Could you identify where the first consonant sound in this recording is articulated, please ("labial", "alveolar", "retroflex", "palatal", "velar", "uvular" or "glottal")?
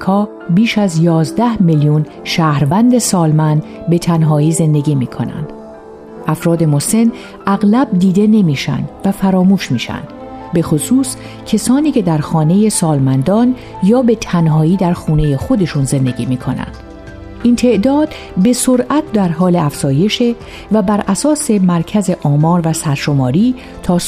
velar